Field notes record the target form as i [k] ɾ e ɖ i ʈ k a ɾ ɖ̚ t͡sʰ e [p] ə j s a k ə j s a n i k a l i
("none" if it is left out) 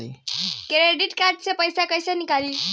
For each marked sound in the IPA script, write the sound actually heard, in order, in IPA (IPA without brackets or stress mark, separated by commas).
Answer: k, p